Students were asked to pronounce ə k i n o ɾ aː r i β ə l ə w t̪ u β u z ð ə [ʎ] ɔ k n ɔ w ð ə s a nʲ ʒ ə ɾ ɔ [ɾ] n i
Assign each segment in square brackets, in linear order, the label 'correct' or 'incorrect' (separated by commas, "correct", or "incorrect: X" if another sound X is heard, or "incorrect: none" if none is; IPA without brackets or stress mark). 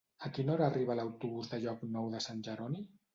correct, incorrect: none